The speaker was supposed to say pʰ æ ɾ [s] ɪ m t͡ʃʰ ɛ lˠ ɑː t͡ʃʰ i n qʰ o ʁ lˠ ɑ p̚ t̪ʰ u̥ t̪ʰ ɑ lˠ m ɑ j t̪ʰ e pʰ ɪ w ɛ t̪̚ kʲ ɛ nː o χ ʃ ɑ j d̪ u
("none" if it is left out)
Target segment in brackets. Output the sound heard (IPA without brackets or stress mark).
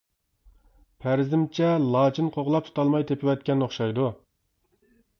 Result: z